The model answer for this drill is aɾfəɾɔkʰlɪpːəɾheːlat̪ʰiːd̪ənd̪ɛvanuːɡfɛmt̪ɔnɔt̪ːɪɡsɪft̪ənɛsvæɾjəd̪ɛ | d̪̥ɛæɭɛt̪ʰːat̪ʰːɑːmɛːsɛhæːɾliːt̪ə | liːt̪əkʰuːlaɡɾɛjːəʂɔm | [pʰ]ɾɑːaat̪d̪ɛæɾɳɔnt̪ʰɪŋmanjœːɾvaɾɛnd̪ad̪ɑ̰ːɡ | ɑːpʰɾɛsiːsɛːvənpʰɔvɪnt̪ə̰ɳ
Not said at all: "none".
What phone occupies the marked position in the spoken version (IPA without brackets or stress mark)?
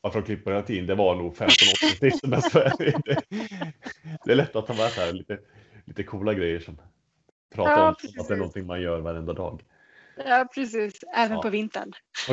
pʰ